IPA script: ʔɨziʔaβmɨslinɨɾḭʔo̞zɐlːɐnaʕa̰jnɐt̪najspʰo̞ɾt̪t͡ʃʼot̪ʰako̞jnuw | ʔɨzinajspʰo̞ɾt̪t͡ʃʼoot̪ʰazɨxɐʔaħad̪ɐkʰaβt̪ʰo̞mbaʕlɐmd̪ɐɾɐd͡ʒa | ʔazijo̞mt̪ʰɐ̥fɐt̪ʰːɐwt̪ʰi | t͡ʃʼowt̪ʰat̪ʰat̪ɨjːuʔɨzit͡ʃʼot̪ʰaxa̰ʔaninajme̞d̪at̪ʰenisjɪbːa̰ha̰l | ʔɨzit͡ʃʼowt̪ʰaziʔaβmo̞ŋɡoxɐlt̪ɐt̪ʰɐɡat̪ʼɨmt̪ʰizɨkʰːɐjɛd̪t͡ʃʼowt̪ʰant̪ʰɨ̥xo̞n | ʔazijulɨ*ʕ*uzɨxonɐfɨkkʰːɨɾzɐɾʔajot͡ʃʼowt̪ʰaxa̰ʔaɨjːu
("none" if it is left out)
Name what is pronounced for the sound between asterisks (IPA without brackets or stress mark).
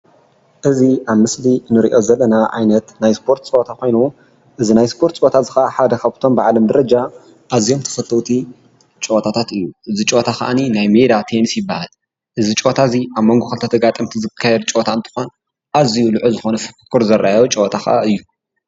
ʕ